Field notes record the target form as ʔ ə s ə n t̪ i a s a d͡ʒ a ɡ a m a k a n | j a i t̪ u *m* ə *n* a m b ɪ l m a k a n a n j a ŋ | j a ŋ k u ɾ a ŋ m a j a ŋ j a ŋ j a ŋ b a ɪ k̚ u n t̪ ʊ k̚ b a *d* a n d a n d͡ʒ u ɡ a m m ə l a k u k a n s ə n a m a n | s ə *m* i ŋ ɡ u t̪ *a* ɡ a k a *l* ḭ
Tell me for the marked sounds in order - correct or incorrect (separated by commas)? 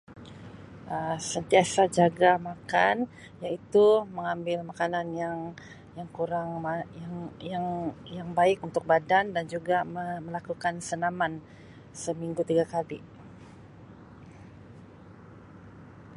correct, incorrect, correct, correct, incorrect, correct